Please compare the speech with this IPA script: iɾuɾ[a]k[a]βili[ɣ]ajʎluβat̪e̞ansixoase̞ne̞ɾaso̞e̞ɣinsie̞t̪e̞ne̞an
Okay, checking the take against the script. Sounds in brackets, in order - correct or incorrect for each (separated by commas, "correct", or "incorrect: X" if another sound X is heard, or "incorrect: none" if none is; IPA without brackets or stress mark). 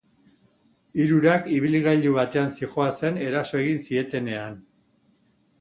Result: correct, incorrect: i, correct